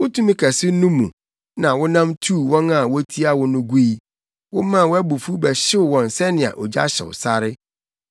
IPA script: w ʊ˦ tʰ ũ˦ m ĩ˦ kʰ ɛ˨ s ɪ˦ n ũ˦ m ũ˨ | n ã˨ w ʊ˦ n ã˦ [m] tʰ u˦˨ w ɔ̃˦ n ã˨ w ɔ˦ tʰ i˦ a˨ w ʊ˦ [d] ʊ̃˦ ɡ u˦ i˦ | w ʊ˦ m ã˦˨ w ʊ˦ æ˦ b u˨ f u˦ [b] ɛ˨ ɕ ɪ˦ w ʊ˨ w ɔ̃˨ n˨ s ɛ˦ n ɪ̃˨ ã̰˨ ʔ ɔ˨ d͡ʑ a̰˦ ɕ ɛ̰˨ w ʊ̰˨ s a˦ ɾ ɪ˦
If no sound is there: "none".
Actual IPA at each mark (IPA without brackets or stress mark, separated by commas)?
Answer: m, n, b